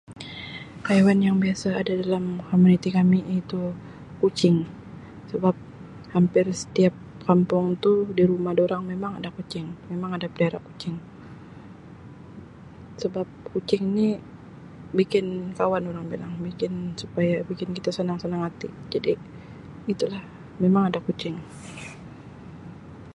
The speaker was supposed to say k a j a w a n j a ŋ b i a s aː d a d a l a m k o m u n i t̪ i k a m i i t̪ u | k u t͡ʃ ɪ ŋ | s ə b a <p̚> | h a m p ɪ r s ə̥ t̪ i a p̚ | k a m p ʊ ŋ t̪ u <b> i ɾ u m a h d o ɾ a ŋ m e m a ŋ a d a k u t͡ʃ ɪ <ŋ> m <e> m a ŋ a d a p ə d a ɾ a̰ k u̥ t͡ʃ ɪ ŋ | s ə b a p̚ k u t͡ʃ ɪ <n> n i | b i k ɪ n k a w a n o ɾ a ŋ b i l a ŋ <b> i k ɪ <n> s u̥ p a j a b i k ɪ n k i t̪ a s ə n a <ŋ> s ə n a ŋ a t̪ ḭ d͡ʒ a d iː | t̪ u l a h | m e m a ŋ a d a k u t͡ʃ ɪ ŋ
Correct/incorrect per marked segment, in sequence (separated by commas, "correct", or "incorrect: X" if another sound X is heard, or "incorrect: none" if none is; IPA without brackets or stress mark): correct, incorrect: d, correct, correct, incorrect: ŋ, correct, correct, correct